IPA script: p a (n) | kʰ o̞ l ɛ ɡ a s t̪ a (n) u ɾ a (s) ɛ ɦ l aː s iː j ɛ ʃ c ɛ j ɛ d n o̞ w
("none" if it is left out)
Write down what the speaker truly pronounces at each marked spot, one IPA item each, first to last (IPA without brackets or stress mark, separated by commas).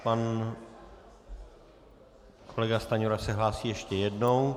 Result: n, ɲ, s